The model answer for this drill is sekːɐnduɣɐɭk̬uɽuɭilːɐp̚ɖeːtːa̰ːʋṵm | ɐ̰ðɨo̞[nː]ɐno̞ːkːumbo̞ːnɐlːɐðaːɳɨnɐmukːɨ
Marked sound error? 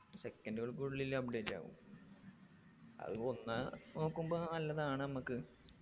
no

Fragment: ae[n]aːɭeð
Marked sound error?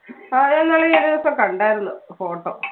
yes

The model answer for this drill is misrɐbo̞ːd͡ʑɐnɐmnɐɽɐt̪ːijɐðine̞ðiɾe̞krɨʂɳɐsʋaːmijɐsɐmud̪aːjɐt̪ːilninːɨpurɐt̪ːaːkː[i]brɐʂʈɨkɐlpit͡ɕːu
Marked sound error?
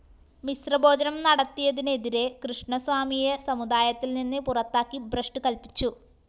no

